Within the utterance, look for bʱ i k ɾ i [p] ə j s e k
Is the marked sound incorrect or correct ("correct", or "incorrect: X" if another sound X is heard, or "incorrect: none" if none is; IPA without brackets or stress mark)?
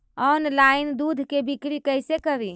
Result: incorrect: k